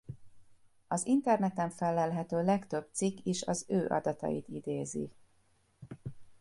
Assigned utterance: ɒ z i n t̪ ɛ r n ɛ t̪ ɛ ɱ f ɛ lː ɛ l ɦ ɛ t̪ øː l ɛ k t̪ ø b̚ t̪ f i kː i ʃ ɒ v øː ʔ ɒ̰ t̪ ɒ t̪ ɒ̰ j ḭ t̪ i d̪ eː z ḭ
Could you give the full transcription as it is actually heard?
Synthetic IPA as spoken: ɒ z i n t̪ ɛ r n ɛ t̪ ɛ ɱ f ɛ lː ɛ l ɦ ɛ t̪ øː l ɛ k t̪ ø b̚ t̪ s i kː i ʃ ɒ z øː ʔ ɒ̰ d̪ ɒ t̪ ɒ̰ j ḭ t̪ i d̪ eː z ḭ